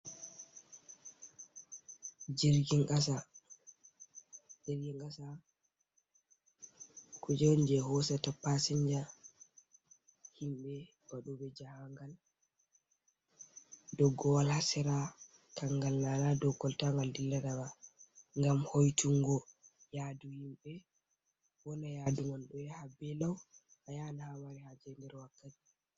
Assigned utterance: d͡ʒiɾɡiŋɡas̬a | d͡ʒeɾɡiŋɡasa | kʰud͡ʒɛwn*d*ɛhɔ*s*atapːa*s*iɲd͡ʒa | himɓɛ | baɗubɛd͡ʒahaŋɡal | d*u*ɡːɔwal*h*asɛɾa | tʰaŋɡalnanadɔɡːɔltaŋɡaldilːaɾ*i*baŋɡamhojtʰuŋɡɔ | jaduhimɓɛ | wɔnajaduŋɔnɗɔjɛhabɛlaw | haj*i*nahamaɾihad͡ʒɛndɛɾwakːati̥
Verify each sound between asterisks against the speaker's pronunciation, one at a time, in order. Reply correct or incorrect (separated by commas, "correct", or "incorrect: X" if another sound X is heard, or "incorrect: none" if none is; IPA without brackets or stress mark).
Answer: incorrect: d͡ʒ, correct, correct, incorrect: ɔ, correct, incorrect: a, incorrect: a